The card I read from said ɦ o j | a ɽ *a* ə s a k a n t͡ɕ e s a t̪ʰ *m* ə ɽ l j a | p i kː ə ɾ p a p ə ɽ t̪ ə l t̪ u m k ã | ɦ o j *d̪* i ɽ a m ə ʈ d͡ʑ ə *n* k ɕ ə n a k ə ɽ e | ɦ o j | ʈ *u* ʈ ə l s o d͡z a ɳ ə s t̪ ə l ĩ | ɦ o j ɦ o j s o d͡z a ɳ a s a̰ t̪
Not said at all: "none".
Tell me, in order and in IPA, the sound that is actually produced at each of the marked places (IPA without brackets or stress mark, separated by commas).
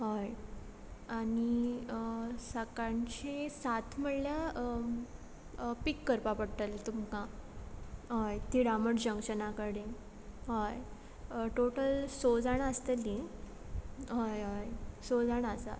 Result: i, m, t̪, ŋ, o